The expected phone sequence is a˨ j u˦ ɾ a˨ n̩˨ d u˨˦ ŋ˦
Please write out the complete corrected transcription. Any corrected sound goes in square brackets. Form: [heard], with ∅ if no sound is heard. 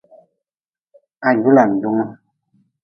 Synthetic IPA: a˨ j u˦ [l] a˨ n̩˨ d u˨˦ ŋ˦